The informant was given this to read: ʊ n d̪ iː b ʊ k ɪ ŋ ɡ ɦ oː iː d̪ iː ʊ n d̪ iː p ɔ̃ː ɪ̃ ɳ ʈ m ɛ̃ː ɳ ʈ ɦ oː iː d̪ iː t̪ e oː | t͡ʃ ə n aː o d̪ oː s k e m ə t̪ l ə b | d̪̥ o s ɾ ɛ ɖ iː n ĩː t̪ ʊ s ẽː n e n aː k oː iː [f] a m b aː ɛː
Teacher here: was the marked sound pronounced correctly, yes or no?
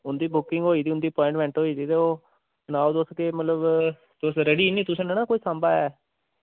no